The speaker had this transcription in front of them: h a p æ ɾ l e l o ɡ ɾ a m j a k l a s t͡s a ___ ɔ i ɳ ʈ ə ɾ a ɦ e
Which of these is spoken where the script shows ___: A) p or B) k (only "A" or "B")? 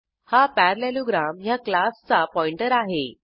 A